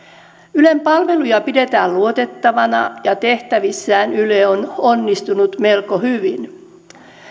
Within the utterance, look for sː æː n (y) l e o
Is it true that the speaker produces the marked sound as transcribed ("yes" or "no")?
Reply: yes